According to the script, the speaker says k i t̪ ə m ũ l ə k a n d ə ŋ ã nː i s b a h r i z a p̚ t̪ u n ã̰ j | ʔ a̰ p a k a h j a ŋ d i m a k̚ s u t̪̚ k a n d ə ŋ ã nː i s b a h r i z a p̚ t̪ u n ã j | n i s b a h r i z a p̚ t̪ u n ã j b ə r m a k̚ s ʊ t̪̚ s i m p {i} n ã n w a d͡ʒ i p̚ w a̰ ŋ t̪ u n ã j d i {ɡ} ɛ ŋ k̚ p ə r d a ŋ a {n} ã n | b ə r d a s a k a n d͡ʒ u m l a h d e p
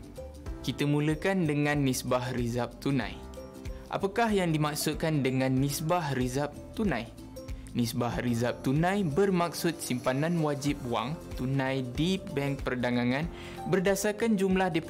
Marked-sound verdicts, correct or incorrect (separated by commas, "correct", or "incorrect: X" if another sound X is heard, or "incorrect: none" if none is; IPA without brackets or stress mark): incorrect: a, incorrect: b, incorrect: ŋ